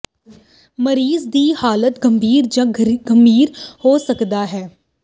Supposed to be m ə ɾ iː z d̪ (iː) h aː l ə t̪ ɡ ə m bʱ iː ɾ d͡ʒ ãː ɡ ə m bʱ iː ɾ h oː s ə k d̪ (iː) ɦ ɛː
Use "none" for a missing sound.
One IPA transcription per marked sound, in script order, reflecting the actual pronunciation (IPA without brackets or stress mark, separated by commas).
iː, aː